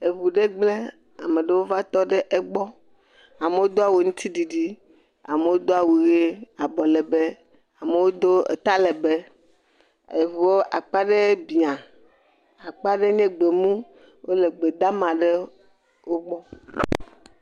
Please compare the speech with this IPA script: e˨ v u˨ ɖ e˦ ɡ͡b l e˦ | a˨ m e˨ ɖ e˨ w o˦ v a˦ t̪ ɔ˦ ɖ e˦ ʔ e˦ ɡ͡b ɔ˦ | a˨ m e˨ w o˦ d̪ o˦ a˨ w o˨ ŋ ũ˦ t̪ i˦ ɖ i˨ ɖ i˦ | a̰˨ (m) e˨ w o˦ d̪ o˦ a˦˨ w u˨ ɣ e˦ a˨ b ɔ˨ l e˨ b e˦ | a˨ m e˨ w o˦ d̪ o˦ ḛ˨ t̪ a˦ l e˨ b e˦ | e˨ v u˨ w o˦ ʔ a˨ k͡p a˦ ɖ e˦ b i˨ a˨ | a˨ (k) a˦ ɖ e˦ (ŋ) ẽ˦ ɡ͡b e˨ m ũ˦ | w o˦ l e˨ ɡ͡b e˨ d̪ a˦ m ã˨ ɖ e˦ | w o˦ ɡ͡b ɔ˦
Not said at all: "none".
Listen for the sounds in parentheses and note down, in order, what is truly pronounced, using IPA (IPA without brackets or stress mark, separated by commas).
m, k͡p, ɲ